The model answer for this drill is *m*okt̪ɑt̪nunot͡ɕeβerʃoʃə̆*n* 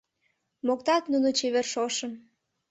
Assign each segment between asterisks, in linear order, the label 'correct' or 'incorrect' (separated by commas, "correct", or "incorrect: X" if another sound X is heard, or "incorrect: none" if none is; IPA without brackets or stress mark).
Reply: correct, incorrect: m